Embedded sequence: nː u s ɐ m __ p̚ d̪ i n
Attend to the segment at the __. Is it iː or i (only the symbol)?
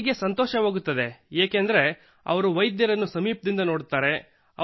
iː